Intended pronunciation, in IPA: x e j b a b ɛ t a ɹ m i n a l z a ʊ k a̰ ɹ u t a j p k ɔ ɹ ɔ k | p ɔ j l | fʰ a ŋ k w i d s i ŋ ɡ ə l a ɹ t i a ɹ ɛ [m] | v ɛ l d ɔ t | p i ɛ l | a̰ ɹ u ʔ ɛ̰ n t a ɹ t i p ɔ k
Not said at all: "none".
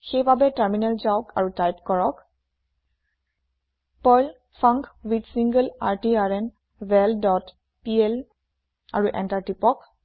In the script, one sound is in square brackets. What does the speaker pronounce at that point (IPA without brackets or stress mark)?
n